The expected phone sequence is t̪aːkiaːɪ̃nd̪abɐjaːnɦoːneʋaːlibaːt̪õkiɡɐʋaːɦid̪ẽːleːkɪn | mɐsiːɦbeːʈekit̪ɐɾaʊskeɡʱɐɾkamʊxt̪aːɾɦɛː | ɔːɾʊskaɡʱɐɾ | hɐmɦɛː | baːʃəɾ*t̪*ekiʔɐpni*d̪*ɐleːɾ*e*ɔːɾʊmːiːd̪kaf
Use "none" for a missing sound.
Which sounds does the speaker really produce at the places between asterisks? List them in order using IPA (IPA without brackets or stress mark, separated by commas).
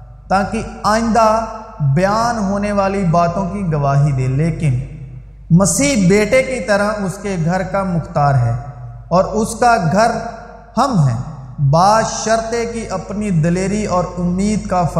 t̪, d̪, i